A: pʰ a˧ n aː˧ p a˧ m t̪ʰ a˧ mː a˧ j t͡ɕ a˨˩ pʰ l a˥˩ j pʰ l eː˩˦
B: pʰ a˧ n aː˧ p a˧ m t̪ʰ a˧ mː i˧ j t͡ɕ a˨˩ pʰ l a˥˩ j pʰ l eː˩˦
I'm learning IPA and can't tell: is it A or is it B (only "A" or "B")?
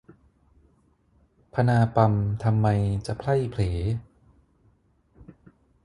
A